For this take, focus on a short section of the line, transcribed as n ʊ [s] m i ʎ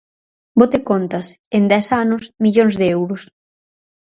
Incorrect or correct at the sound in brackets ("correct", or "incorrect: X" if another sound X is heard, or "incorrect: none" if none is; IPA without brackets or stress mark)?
correct